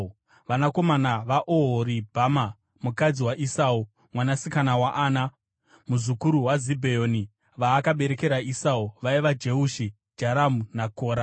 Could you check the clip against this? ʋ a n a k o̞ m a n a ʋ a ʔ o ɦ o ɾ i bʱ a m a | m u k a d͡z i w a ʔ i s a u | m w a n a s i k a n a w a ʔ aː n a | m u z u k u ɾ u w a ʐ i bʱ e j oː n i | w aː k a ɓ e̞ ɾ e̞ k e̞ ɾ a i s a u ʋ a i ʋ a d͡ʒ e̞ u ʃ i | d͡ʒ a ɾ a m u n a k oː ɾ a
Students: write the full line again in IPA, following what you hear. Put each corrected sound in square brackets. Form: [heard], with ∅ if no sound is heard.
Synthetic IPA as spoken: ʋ a n a k o̞ m a n a ʋ a ʔ o ɦ o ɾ i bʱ a m a | m u k a d͡z i w a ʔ i s a u | m w a n a s i k a n a w a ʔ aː n a | m u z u k u ɾ u w a [z] i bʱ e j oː n i | [ʋ] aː k a ɓ e̞ ɾ e̞ k e̞ ɾ a i s a u ʋ a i ʋ a d͡ʒ e̞ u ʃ i | d͡ʒ a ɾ a m u n a k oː ɾ a